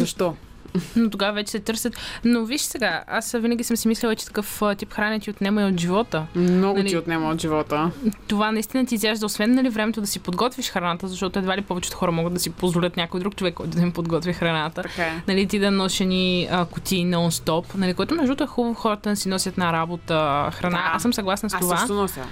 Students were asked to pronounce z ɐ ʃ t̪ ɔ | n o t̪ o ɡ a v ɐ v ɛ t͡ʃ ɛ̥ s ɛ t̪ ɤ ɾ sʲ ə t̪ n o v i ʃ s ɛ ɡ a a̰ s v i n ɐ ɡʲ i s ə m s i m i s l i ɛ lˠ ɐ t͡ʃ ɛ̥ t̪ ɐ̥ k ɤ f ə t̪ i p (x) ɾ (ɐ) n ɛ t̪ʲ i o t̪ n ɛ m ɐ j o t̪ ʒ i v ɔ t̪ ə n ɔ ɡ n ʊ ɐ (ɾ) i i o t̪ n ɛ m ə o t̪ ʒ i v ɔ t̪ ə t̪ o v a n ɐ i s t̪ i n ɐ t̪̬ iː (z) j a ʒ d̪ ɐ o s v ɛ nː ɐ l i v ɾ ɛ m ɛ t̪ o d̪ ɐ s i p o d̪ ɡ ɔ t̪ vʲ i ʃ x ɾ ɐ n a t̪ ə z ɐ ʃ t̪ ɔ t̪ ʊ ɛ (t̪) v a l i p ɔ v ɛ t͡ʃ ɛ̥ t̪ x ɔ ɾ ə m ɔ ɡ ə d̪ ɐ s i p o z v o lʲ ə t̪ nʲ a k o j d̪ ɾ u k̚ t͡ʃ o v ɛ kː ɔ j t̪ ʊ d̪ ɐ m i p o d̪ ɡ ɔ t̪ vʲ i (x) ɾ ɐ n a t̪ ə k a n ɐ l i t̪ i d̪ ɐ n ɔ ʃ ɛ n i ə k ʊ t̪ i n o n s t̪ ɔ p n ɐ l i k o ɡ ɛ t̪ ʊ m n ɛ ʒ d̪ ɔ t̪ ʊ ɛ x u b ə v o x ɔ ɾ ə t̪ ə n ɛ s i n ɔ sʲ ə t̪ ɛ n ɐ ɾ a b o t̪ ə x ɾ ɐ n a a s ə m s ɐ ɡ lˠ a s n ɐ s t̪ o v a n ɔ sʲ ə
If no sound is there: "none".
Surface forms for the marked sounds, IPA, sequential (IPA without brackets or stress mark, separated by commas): x, a, l, z, d̪, x